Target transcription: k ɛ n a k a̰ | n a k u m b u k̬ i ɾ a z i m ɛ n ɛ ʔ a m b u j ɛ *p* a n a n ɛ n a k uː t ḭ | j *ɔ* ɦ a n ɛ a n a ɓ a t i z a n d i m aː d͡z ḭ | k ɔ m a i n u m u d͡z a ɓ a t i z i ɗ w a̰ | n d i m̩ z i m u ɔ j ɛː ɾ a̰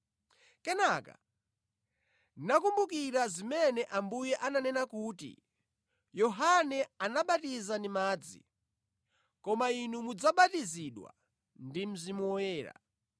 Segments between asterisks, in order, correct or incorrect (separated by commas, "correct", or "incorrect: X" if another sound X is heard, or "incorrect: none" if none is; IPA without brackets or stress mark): incorrect: ʔ, correct